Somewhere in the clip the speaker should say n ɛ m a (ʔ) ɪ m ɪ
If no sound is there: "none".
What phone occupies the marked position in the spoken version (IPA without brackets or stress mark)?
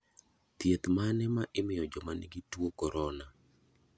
ʔ